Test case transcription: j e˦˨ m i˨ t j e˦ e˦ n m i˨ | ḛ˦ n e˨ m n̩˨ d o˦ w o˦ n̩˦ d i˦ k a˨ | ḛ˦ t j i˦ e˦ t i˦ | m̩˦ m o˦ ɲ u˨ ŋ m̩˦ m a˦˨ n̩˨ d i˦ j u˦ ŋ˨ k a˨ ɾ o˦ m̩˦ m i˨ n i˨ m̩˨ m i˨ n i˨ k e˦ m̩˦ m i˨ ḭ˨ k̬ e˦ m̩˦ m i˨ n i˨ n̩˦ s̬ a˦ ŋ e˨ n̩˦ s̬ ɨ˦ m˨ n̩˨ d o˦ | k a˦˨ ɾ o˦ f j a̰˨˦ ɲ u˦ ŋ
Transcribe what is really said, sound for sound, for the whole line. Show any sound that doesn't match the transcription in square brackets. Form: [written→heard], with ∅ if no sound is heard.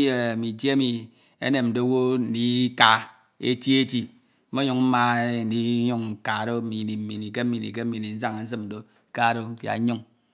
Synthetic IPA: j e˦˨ m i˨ t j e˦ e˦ [n→∅] m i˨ | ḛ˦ n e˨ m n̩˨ d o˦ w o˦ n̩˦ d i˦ k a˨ | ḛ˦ t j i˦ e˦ t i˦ | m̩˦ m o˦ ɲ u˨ ŋ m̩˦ m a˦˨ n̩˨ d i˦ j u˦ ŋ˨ k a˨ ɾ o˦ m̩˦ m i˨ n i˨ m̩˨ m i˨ n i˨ k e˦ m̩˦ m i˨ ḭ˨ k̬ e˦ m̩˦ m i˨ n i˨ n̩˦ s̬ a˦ ŋ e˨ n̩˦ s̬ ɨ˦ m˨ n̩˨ d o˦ | k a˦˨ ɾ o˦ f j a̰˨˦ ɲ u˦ ŋ